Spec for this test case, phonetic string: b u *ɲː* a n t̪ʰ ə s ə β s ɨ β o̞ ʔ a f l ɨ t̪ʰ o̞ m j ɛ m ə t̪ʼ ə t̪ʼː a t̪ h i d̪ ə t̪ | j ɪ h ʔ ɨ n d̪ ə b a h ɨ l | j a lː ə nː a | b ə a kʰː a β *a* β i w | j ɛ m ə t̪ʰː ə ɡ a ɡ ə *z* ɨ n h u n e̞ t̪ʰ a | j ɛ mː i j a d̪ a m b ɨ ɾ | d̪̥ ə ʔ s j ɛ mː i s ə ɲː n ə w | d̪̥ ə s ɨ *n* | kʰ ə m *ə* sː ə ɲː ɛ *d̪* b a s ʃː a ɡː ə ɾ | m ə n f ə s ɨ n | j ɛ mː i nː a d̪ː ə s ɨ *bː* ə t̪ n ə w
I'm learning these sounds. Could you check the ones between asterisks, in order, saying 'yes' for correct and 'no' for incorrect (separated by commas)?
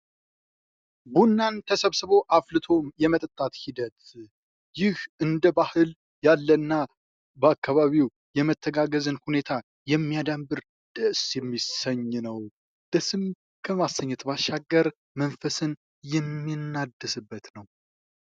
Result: no, yes, yes, no, no, no, yes